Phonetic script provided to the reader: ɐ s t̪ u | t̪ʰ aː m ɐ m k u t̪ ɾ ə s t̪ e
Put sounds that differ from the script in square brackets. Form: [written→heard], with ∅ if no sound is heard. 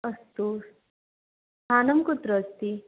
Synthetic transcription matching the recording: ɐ s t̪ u | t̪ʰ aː [m→n] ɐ m k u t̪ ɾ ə s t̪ [e→i]